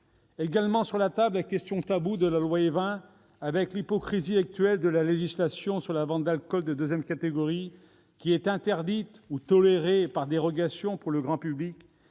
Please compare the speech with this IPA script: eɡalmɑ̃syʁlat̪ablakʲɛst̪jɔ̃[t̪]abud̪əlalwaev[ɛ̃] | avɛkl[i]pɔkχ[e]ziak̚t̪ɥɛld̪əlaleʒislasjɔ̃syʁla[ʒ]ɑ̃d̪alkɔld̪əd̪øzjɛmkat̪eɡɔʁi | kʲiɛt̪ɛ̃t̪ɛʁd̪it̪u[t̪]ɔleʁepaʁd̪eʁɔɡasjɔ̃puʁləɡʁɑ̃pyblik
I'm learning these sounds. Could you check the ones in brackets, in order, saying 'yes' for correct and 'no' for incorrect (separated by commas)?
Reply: yes, yes, yes, no, no, yes